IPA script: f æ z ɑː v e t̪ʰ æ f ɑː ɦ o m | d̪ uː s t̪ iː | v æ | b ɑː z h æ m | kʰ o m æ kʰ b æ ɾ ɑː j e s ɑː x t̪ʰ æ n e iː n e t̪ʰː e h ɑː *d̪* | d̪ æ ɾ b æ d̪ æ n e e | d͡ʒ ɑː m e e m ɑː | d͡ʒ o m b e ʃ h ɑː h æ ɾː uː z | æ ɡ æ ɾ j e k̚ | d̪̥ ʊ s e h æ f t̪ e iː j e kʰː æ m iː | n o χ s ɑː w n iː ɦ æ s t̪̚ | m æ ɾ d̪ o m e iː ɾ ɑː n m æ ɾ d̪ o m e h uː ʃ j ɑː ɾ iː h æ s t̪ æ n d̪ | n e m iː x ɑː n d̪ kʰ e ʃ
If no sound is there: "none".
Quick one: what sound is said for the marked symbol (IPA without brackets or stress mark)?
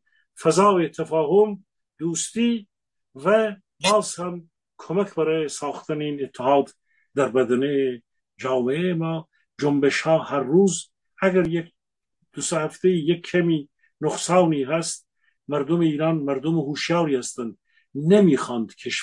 d̪